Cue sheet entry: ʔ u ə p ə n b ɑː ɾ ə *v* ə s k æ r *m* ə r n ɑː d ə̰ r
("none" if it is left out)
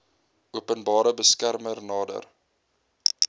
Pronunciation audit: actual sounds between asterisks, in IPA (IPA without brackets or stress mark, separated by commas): b, m